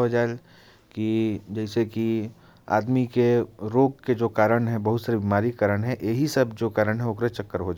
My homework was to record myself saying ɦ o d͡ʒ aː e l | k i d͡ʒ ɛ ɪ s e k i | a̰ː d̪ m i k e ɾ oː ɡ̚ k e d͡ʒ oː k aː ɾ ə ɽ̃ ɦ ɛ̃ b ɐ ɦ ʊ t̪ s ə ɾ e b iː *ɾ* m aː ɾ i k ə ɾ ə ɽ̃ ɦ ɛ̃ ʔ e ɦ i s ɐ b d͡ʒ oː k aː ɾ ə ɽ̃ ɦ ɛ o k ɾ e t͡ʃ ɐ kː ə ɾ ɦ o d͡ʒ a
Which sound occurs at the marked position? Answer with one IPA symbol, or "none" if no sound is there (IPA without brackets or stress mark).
none